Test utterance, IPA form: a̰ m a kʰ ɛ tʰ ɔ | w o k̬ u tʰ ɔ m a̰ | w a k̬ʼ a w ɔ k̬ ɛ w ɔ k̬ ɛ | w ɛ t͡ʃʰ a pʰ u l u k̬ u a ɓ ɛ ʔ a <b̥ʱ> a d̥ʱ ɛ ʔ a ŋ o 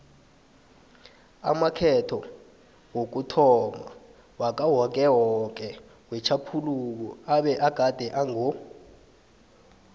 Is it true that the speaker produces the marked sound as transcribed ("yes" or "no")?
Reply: no